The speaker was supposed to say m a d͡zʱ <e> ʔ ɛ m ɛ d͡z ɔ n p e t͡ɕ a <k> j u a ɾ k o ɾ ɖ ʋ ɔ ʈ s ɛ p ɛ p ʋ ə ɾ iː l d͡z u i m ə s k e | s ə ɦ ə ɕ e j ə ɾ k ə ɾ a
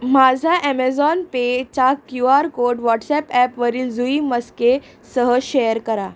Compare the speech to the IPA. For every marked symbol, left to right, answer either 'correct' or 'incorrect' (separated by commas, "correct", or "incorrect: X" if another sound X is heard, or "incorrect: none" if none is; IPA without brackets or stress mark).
incorrect: a, correct